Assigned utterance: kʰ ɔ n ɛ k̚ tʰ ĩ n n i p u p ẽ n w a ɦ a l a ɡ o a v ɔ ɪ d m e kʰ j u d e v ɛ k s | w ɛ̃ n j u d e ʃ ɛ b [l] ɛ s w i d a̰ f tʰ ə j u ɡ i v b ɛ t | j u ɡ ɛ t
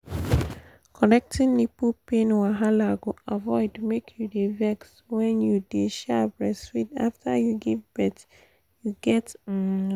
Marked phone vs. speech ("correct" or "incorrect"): incorrect